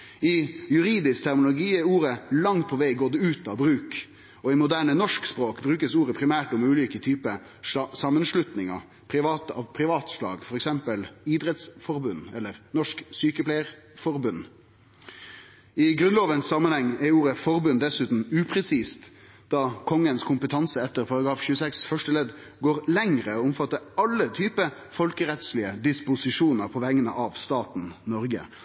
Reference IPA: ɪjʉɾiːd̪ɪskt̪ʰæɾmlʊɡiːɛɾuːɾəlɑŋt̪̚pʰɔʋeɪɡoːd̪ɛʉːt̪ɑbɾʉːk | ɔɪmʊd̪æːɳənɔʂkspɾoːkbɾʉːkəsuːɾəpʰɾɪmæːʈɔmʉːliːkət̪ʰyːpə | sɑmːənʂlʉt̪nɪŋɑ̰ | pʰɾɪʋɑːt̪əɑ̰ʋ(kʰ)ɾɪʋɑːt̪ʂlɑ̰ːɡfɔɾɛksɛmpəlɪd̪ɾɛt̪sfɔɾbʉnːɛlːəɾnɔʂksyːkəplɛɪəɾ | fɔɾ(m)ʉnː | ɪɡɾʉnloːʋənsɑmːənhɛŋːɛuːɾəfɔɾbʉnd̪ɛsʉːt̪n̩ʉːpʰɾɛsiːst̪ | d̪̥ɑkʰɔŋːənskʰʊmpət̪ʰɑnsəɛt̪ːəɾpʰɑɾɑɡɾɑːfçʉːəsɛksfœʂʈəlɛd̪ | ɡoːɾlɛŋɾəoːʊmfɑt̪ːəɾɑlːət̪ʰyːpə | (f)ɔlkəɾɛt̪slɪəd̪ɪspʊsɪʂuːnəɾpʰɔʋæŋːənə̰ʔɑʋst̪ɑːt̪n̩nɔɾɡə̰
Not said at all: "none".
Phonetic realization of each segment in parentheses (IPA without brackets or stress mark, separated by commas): pʰ, b, f